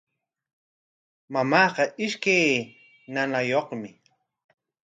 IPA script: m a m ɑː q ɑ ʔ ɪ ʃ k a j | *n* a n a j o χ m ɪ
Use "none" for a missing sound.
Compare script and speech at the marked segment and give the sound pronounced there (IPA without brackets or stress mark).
n